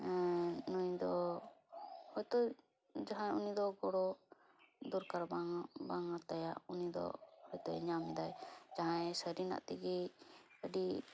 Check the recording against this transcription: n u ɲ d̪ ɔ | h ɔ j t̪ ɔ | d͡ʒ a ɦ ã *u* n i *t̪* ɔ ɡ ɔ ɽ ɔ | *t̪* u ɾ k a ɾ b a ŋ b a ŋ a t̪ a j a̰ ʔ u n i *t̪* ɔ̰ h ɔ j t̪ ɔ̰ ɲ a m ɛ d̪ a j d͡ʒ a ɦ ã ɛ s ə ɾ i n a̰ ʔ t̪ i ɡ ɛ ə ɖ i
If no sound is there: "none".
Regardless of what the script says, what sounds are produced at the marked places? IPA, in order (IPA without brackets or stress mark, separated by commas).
u, d̪, d̪, d̪